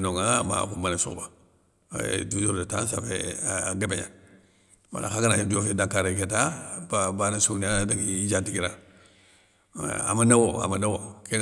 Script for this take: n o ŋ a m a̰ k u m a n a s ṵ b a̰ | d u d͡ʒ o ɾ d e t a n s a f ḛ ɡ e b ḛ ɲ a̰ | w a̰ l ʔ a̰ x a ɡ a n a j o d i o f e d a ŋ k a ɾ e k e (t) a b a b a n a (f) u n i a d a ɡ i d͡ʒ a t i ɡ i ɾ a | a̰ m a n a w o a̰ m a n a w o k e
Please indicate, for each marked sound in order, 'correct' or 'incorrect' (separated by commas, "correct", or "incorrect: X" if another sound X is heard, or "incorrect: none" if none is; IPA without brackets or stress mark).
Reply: correct, incorrect: s